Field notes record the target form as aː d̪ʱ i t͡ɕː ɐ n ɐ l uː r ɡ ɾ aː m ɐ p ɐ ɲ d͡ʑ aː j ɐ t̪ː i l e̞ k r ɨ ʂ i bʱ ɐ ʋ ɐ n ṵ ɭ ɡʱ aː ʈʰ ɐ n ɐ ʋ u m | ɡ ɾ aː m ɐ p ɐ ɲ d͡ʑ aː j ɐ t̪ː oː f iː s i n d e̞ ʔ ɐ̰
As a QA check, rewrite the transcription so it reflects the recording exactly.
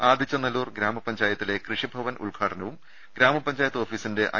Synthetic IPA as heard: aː d̪ʱ i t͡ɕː ɐ n ɐ l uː r ɡ ɾ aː m ɐ p ɐ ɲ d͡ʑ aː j ɐ t̪ː i l e̞ k r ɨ ʂ i bʱ ɐ ʋ ɐ n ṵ ɭ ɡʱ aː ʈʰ ɐ n ɐ ʋ u m | ɡ ɾ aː m ɐ p ɐ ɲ d͡ʑ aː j ɐ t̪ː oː f iː s i n d e̞ ʔ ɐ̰

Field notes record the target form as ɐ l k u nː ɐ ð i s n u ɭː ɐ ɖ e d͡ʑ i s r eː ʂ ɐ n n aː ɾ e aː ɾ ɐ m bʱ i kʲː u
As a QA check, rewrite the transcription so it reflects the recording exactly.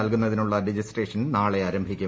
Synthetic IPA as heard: ɐ l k u nː ɐ ð i n u ɭː ɐ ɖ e d͡ʑ i s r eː ʂ ɐ n n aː ɭ e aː ɾ ɐ m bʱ i kʲː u

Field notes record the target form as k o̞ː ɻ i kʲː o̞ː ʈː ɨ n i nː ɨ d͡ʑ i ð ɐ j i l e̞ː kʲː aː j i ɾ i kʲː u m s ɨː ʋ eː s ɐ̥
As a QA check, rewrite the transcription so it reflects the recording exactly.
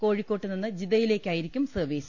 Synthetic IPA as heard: k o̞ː ɻ i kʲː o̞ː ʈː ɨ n i nː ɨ d͡ʑ i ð ɐ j i l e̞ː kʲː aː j i ɾ i kʲː u m s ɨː ʋ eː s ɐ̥

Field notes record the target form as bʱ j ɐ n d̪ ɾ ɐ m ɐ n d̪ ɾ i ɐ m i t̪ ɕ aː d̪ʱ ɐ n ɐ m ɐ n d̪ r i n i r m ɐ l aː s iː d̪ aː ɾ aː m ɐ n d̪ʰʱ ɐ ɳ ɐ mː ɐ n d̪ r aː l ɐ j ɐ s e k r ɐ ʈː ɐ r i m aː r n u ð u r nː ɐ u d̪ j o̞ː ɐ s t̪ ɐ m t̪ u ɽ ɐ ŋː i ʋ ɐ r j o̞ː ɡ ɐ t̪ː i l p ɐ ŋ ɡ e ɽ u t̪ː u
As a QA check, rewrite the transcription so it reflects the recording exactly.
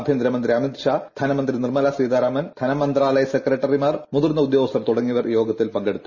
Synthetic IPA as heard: bʱ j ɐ n d̪ ɾ ɐ m ɐ n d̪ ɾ i ɐ m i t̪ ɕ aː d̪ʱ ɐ n ɐ m ɐ n d̪ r i n i r m ɐ l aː s iː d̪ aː ɾ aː m ɐ n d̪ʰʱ ɐ n ɐ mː ɐ n d̪ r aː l ɐ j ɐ s e k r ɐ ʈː ɐ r i m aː r m u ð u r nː ɐ u d̪ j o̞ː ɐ s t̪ ɐ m t̪ u ɽ ɐ ŋː i ʋ ɐ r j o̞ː ɡ ɐ t̪ː i l p ɐ ŋ ɡ e ɽ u t̪ː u

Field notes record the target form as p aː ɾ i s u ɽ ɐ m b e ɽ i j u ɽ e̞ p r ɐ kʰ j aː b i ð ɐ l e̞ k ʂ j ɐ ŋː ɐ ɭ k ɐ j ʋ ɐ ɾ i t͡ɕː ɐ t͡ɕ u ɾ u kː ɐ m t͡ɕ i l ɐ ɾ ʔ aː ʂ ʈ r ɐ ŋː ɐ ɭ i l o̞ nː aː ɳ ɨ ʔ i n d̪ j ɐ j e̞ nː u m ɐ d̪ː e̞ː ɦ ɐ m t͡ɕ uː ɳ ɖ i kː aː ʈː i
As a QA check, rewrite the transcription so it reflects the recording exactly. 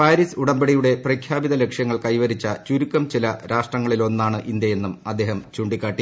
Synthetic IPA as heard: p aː ɾ i s u ɽ ɐ m b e ɽ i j u ɽ e̞ p r ɐ kʰ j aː b i ð ɐ l e̞ k ʂ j ɐ ŋː ɐ ɭ k ɐ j ʋ ɐ ɾ i t͡ɕː ɐ t͡ɕ u ɾ u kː ɐ m t͡ɕ i l ɐ ɾ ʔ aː ʂ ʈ r ɐ ŋː ɐ ɭ i l o̞ nː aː ɳ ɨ ʔ i n d̪ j ɐ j e̞ nː u m ɐ d̪ː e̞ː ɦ ɐ m t͡ɕ uː ɳ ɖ i kː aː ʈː i

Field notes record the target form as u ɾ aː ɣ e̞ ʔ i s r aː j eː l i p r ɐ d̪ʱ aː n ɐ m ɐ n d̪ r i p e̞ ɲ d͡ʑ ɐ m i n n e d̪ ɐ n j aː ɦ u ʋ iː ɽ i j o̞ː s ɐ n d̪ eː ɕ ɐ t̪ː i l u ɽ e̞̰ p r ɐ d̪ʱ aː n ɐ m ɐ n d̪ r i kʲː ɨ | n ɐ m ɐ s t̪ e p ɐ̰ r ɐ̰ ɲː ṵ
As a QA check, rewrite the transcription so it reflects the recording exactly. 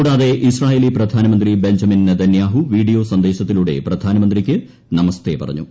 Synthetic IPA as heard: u ɽ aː ð e̞ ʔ i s r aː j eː l i p r ɐ d̪ʱ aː n ɐ m ɐ n d̪ r i b e̞ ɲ d͡ʑ ɐ m i n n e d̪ ɐ n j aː ɦ u ʋ iː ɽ i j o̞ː s ɐ n d̪ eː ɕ ɐ t̪ː i l u ɽ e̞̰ p r ɐ d̪ʱ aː n ɐ m ɐ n d̪ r i kʲː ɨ | n ɐ m ɐ s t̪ e p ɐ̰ r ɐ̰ ɲː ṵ

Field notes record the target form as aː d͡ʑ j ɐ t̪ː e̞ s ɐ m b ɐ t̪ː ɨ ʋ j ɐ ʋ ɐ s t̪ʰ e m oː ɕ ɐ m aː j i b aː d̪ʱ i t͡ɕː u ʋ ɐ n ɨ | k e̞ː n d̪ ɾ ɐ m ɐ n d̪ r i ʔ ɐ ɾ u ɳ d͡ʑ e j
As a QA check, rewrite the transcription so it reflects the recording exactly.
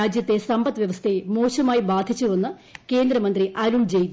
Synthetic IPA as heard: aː d͡ʑ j ɐ t̪ː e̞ s ɐ m b ɐ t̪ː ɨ ʋ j ɐ ʋ ɐ s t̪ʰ e m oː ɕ ɐ m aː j i b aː d̪ʱ i t͡ɕː u ʋ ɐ nː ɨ | k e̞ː n d̪ ɾ ɐ m ɐ n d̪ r i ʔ ɐ ɾ u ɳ d͡ʑ e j

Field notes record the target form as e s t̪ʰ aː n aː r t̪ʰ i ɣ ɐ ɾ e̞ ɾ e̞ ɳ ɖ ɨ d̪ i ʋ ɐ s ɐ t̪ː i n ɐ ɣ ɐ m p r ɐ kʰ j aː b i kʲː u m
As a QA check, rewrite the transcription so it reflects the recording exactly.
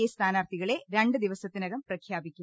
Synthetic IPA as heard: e s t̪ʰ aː n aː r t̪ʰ i ɣ ɐ ɭ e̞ ɾ e̞ ɳ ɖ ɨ d̪ i ʋ ɐ s ɐ t̪ː i n ɐ ɣ ɐ m p r ɐ kʰ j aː b i kʲː u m

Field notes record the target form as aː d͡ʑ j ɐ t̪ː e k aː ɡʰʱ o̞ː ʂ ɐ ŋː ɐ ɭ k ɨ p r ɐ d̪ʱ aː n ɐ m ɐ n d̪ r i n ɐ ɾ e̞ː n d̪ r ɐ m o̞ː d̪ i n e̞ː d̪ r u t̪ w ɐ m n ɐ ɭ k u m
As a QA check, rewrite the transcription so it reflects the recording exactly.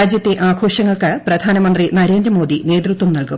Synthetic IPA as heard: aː d͡ʑ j ɐ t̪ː e ʔ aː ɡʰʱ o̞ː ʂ ɐ ŋː ɐ ɭ k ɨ p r ɐ d̪ʱ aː n ɐ m ɐ n d̪ r i n ɐ ɾ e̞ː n d̪ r ɐ m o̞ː d̪ i n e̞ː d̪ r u t̪ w ɐ m n ɐ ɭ k u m

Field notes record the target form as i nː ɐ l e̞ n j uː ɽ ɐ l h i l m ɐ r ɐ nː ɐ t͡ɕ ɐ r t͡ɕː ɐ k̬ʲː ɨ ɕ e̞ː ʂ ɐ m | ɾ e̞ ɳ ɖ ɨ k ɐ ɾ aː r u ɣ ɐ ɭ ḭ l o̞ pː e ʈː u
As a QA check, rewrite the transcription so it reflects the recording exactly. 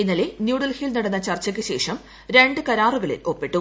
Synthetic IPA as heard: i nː ɐ l e̞ n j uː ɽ ɐ l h i l n ɐ ɽ ɐ nː ɐ t͡ɕ ɐ r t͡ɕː ɐ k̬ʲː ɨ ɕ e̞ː ʂ ɐ m | ɾ e̞ ɳ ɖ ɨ k ɐ ɾ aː r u ɣ ɐ ɭ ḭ l o̞ pː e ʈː u

